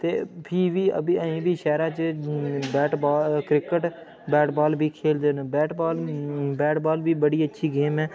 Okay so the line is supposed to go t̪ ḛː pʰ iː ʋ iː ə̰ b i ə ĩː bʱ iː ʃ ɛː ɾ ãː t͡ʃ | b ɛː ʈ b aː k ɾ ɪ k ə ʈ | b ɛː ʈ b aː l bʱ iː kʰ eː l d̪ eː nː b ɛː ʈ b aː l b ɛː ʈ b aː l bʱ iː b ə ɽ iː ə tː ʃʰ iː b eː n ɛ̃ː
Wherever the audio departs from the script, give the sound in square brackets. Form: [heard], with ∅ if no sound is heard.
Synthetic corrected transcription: t̪ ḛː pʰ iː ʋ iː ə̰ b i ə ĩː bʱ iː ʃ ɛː ɾ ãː t͡ʃ | b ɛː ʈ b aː k ɾ ɪ k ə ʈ | b ɛː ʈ b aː l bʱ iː kʰ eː l d̪ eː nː b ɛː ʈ b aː l b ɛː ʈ b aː l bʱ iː b ə ɽ iː ə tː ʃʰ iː [ɡ] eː [m] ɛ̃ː